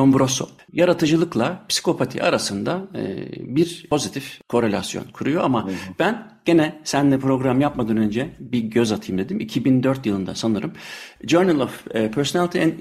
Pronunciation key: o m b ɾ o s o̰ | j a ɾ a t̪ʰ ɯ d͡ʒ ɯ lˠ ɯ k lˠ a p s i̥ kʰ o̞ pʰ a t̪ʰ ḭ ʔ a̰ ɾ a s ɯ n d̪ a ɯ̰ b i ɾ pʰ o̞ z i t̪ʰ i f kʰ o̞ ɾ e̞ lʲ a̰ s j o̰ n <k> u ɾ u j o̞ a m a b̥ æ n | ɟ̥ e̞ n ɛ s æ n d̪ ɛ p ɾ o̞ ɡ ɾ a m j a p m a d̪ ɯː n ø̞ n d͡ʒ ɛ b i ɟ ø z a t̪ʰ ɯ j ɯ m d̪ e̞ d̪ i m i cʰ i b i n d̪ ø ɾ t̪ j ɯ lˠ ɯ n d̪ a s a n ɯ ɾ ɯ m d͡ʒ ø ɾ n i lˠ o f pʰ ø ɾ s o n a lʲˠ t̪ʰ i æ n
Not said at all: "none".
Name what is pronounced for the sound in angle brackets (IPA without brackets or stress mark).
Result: kʰ